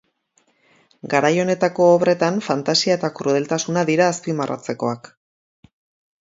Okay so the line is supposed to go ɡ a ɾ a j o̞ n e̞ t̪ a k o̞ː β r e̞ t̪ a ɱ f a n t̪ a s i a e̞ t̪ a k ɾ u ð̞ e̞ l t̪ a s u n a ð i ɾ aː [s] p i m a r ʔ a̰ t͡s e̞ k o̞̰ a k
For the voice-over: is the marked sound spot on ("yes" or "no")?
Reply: yes